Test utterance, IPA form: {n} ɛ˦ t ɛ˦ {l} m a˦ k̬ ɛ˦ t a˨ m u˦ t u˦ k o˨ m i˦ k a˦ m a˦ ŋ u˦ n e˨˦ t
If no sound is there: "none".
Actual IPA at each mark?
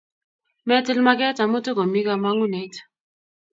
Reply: m, l

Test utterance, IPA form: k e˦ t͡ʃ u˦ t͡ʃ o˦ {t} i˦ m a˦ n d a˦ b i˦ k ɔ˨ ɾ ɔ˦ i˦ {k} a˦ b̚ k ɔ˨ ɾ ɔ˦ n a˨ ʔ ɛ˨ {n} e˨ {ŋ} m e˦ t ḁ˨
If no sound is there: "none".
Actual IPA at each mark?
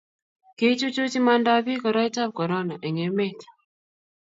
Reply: t͡ʃ, t, ŋ, none

